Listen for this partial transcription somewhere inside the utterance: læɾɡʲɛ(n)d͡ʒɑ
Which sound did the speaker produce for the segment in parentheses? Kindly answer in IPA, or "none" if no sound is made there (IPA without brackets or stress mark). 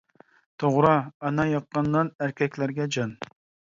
none